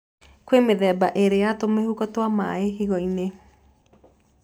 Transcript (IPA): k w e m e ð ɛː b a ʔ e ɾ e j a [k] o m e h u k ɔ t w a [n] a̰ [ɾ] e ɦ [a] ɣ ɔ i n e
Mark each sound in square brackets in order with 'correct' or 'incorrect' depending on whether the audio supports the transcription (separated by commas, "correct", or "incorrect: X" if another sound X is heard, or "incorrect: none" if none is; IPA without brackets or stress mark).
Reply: incorrect: t, incorrect: m, incorrect: none, incorrect: i